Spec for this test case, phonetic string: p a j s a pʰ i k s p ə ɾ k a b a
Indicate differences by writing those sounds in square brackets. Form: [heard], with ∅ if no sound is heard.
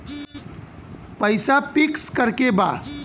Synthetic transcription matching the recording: p [ə] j s a [p] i k s [k] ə ɾ k [e] b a